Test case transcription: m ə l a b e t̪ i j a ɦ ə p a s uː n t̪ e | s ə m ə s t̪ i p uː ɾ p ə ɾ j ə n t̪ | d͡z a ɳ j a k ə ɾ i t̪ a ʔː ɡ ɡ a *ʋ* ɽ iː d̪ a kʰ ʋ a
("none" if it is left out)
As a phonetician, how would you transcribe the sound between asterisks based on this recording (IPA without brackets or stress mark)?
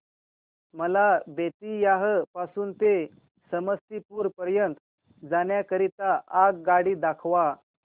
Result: none